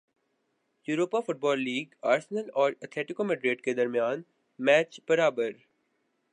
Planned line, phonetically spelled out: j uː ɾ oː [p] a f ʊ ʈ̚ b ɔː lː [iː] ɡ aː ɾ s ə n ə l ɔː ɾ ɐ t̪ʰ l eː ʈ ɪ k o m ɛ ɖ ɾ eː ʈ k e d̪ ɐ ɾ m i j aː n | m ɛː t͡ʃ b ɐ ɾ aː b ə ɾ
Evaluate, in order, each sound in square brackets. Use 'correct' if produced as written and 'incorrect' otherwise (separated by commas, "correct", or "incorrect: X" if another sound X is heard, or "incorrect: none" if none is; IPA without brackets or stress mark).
correct, correct